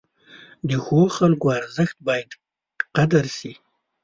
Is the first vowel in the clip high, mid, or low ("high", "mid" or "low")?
mid